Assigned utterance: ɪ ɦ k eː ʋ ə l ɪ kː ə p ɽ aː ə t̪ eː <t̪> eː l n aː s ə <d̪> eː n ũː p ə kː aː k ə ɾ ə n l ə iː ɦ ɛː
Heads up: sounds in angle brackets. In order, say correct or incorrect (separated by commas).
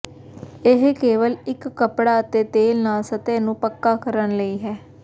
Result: correct, incorrect